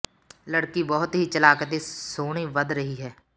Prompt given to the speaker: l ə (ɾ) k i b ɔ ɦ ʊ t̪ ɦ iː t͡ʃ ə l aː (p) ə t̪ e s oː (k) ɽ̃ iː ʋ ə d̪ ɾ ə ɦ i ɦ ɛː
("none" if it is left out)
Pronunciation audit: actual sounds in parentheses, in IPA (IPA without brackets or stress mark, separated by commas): ɽ, k, none